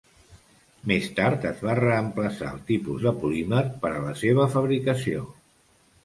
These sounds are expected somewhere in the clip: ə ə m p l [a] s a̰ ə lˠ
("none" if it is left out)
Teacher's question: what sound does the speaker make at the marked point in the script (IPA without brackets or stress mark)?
ə